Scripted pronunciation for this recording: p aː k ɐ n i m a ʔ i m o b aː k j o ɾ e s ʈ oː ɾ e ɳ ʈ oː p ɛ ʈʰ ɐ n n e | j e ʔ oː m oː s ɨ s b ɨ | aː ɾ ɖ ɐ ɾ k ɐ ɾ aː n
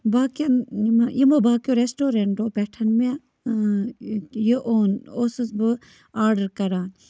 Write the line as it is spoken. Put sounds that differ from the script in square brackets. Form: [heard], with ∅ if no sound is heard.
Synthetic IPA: [b] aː k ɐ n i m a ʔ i m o b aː k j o ɾ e s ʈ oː ɾ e ɳ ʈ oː p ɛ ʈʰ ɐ n [m] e | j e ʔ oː [n] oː s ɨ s b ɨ | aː ɾ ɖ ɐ ɾ k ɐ ɾ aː n